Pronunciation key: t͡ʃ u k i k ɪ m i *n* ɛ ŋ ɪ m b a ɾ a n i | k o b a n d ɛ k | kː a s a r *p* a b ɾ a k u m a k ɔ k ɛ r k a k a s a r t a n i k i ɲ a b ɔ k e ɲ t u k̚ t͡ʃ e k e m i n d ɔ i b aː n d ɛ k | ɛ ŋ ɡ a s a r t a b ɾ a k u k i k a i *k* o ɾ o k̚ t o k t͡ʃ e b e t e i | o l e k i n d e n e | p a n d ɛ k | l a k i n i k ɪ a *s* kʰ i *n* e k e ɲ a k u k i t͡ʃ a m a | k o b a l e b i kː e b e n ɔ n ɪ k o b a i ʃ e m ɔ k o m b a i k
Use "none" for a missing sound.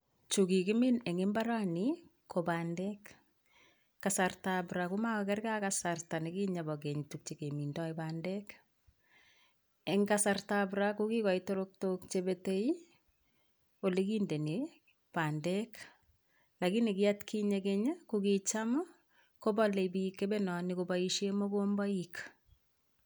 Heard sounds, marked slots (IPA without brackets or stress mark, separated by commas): n, t, t, t, ɲ